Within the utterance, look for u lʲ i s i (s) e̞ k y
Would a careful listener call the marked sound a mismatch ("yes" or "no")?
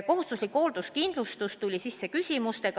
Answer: yes